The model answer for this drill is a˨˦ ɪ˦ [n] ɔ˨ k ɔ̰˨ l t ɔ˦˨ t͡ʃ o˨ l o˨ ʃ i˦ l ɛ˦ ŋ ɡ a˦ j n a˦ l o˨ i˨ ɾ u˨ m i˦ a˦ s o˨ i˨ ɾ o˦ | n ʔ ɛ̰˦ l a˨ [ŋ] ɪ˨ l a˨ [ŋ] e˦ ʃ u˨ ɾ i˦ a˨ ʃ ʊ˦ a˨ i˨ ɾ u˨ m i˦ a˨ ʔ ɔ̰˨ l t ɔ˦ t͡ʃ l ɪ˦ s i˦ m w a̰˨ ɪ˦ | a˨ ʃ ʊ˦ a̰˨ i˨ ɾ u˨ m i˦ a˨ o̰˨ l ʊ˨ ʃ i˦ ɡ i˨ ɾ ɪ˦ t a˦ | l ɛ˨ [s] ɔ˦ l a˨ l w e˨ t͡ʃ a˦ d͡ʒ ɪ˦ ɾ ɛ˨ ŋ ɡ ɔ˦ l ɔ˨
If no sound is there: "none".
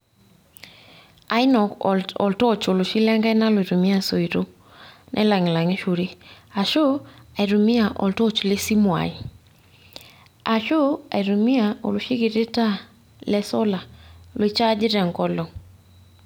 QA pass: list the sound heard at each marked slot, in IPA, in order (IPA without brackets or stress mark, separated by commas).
n, ŋ, ŋ, s